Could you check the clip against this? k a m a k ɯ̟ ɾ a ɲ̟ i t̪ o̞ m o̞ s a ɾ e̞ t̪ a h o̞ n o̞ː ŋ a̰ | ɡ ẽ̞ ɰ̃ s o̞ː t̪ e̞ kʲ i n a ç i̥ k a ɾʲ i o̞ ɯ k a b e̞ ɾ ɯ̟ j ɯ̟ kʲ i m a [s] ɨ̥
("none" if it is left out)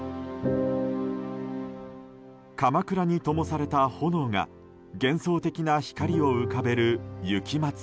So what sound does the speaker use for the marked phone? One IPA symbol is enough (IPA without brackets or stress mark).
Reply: t͡s